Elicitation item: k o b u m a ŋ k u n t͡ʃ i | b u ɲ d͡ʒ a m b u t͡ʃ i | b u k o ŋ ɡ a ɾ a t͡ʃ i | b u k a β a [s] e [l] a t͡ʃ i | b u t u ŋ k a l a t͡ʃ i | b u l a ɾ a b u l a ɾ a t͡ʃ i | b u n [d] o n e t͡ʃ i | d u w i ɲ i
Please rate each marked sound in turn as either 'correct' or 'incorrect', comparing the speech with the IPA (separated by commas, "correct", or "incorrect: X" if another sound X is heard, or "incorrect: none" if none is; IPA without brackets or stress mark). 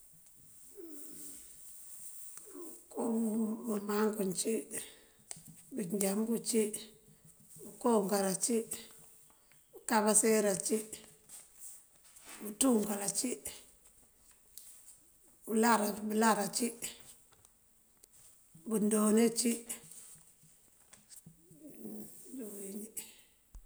correct, incorrect: ɾ, correct